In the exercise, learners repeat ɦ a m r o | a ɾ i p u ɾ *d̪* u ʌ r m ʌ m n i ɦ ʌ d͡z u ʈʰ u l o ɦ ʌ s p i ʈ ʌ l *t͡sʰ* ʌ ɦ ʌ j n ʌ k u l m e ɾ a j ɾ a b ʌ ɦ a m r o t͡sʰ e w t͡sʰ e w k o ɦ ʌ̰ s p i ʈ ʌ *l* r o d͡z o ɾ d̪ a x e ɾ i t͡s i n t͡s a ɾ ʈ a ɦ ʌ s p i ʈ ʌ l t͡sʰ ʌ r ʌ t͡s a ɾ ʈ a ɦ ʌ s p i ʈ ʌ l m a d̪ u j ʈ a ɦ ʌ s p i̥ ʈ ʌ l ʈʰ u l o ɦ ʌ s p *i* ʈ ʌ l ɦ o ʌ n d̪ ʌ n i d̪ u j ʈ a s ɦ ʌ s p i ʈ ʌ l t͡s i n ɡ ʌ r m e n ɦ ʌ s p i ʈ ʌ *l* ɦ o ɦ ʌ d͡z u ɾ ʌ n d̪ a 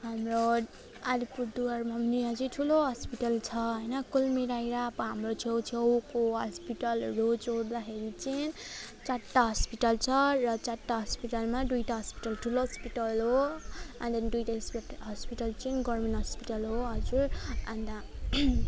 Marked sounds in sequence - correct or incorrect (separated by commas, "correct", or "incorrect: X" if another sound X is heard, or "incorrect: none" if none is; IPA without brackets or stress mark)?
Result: correct, correct, correct, correct, correct